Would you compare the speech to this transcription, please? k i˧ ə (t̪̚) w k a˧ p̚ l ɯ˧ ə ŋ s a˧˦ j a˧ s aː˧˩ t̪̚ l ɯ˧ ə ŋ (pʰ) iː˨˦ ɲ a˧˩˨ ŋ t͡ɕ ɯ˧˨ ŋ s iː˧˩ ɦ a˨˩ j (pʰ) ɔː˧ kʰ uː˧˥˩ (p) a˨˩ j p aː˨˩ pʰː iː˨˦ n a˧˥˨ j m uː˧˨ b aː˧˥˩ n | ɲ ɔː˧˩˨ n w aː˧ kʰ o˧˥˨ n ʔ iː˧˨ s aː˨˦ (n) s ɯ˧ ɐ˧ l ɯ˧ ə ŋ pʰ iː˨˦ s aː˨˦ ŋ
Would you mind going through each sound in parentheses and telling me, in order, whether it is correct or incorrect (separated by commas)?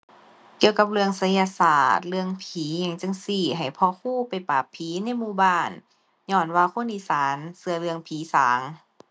incorrect, correct, correct, correct, correct